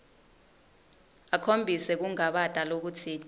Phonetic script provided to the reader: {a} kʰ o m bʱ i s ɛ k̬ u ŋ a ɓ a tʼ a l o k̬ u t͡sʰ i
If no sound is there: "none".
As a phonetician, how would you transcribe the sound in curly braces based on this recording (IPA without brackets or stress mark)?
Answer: a